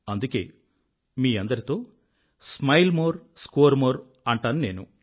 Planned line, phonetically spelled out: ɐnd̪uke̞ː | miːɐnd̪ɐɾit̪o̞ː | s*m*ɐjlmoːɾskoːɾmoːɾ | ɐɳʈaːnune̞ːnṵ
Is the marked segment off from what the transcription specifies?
no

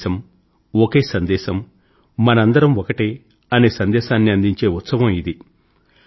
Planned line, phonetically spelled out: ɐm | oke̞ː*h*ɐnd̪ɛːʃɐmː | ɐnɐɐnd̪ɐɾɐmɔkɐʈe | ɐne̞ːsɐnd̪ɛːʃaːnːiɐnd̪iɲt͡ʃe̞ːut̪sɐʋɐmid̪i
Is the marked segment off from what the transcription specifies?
yes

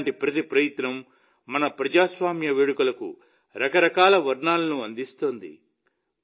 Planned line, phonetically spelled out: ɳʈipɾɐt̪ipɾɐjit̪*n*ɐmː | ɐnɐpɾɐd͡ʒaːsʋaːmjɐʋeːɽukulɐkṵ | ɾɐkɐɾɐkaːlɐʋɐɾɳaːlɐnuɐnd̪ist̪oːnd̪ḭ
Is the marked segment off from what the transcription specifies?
no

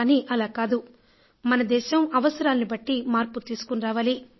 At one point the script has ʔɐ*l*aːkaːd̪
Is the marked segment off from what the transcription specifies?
no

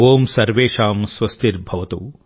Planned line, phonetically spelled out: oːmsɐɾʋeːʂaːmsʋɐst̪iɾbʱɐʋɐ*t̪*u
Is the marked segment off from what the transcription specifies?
no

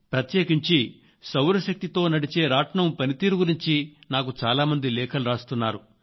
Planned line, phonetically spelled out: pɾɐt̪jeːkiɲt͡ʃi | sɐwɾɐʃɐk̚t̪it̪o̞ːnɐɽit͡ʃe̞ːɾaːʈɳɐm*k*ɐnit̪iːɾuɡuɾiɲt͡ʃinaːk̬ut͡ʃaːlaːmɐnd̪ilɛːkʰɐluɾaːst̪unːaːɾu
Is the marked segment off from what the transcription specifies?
yes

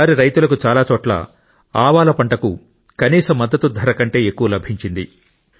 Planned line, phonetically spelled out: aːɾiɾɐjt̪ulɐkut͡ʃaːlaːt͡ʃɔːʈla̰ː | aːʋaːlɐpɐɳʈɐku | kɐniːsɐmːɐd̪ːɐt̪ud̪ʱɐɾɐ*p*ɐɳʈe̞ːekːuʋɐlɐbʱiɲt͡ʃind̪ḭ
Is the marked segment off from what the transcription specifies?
yes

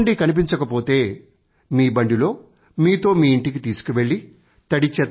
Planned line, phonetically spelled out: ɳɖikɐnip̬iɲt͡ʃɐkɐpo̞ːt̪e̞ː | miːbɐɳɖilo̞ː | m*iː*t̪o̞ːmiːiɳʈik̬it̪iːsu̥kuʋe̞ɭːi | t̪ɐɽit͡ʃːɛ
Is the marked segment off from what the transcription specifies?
no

